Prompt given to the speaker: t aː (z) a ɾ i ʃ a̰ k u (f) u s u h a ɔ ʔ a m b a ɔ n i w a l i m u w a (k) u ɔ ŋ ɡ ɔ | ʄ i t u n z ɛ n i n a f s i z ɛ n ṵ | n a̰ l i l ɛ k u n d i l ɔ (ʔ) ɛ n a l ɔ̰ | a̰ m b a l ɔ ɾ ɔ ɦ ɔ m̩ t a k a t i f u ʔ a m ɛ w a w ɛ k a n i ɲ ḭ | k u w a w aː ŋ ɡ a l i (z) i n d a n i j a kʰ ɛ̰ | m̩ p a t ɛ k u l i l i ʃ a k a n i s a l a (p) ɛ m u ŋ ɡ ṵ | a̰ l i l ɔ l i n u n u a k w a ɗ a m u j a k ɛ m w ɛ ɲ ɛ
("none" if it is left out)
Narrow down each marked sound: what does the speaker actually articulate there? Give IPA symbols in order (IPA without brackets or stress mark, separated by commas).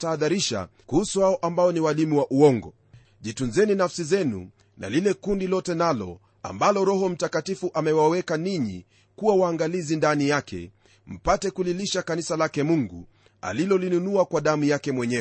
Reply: ð, h, ʔ, t, z, k